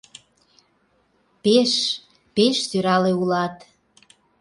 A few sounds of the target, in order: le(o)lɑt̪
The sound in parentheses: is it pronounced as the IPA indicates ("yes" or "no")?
no